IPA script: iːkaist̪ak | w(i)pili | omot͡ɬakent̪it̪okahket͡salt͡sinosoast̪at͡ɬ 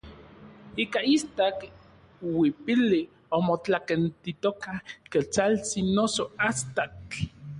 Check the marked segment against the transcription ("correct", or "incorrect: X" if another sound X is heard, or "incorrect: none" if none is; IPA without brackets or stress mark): correct